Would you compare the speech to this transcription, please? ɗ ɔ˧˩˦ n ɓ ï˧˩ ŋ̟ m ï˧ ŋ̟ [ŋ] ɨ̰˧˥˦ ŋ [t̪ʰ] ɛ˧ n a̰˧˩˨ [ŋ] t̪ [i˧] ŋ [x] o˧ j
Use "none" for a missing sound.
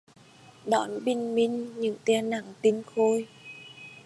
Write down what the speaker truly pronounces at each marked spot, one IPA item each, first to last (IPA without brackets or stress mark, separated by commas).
ɲ, t̪, ŋ, i˧, x